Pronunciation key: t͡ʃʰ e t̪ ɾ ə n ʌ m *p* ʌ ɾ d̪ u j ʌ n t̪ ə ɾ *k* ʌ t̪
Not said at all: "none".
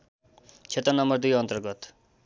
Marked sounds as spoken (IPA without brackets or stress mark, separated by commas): b, ɡ